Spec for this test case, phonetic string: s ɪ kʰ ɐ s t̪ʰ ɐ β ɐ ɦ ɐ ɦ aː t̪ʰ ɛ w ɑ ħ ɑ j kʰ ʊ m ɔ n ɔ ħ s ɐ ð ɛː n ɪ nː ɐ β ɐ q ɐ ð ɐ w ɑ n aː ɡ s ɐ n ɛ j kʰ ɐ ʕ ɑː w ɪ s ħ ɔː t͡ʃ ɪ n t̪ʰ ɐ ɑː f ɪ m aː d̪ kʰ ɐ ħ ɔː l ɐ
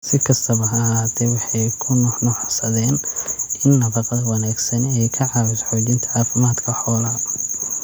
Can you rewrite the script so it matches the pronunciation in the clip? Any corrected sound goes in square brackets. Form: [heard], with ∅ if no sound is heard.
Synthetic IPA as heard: s ɪ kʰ ɐ s t̪ʰ ɐ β ɐ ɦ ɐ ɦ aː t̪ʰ ɛ w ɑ ħ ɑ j kʰ ʊ [n] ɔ n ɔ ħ s ɐ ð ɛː n ɪ nː ɐ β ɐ q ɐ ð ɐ w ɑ n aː ɡ s ɐ n ɛ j kʰ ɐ ʕ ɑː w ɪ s ħ ɔː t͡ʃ ɪ n t̪ʰ ɐ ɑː f ɪ m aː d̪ kʰ ɐ ħ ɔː l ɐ